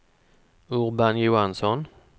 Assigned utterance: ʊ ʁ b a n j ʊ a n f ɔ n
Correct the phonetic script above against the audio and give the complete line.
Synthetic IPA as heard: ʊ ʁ b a n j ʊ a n s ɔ n